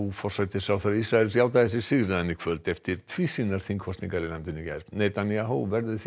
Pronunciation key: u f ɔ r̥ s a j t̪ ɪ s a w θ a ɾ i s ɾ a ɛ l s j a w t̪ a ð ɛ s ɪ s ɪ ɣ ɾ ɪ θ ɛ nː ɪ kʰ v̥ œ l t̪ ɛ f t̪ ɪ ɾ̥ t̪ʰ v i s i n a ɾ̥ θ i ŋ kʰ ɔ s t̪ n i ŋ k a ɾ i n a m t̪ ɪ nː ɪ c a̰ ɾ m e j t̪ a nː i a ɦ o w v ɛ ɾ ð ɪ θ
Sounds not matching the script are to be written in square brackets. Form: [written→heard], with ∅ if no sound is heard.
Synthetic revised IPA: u f ɔ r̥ s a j t̪ ɪ s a w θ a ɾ i s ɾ a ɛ l s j a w t̪ a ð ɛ s ɪ s ɪ ɣ ɾ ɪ [θ→ð] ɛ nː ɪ kʰ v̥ œ l t̪ ɛ f t̪ ɪ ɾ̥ t̪ʰ v i s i n a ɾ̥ θ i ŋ kʰ ɔ s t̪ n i ŋ k a ɾ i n a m t̪ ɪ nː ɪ c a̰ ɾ [m→n] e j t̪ a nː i a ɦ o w v ɛ ɾ ð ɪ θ